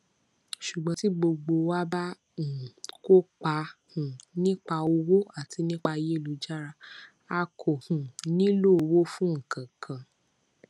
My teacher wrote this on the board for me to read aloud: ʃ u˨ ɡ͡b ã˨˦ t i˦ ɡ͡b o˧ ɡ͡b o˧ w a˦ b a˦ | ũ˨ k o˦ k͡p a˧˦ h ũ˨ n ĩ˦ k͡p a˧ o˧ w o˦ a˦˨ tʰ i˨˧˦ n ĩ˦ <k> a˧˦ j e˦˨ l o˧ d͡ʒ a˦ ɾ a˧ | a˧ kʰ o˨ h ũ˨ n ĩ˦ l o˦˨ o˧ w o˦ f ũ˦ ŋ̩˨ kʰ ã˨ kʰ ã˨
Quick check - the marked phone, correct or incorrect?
incorrect